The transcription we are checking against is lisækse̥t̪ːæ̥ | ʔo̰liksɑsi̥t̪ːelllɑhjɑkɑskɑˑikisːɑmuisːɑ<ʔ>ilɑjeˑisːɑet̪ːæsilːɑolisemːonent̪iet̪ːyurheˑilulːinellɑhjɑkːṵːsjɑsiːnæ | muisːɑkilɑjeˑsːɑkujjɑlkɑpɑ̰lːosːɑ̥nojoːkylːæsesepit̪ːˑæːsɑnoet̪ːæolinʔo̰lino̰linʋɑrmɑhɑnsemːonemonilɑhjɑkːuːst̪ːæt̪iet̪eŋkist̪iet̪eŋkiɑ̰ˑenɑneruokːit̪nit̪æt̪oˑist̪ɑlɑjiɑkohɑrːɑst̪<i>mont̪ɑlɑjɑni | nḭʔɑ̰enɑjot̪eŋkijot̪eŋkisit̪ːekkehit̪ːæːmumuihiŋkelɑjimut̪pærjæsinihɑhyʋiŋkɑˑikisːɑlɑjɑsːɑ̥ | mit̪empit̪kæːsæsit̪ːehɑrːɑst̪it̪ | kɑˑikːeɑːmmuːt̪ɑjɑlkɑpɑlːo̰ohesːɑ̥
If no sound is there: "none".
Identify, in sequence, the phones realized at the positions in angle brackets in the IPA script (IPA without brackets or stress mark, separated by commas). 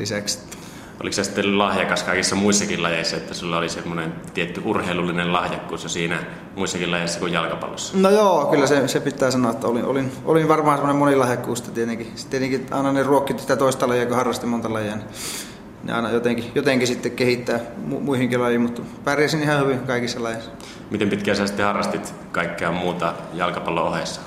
k, i